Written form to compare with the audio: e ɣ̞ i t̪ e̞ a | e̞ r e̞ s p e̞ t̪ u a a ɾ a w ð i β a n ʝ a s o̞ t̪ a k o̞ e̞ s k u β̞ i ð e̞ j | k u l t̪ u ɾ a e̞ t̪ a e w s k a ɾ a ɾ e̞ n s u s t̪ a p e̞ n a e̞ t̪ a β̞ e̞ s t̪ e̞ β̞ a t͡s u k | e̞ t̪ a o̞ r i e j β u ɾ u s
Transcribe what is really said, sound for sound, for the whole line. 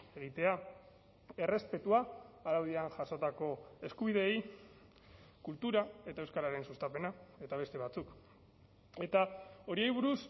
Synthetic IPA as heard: e ɣ̞ i t̪ e̞ a | e̞ r e̞ s p e̞ t̪ u a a ɾ a w ð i a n ʝ a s o̞ t̪ a k o̞ e̞ s k u β̞ i ð e̞ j | k u l t̪ u ɾ a e̞ t̪ a e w s k a ɾ a ɾ e̞ n s u s t̪ a p e̞ n a e̞ t̪ a β̞ e̞ s t̪ e̞ β̞ a t͡s u k | e̞ t̪ a o̞ ɾ i e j β u ɾ u s